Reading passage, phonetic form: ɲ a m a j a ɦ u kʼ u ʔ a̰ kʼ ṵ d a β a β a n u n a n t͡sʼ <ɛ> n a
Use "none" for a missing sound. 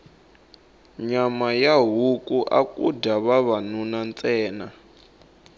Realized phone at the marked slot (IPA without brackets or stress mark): ɛː